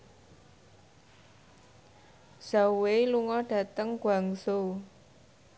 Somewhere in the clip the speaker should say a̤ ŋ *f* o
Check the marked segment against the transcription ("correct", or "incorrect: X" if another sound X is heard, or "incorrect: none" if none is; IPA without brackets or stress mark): incorrect: s